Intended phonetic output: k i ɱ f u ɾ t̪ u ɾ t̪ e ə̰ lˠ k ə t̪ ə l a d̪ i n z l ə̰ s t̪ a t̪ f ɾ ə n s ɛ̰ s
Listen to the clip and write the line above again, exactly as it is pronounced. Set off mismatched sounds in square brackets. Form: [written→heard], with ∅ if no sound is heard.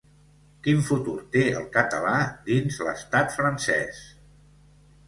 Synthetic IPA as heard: k i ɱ f u [ɾ→∅] t̪ u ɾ t̪ e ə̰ lˠ k ə t̪ ə l a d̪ i n z l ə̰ s t̪ a t̪ f ɾ ə n s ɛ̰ s